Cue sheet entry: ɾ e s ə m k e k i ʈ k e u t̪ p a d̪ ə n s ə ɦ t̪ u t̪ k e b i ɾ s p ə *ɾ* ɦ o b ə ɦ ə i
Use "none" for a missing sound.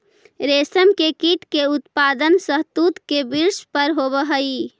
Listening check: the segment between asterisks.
ɾ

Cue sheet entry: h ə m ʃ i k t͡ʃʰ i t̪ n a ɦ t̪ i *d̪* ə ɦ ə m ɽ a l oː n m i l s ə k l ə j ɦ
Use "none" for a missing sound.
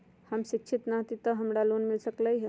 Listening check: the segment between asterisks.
t̪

